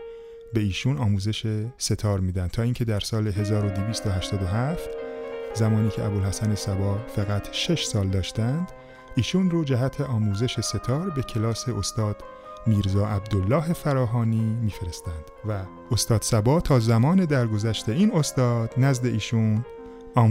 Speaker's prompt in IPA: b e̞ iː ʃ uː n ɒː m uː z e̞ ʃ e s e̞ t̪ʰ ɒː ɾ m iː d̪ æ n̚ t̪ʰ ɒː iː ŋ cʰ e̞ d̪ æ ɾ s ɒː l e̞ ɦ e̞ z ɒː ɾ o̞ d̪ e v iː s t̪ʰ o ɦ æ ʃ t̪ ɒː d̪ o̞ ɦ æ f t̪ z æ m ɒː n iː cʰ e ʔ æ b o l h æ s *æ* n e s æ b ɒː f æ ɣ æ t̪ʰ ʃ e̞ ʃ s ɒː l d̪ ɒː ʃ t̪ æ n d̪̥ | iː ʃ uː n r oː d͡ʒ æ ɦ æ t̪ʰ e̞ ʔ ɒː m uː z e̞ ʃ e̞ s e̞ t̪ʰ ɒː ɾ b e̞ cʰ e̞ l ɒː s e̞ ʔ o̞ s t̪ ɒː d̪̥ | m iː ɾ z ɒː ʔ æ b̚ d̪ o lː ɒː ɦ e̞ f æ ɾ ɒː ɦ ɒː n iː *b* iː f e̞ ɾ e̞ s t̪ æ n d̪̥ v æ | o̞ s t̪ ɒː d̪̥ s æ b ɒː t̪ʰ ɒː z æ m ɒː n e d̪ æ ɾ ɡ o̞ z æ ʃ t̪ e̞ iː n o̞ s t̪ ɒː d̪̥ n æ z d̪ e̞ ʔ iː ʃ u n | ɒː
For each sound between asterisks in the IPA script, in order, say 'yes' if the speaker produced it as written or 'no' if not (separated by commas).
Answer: yes, no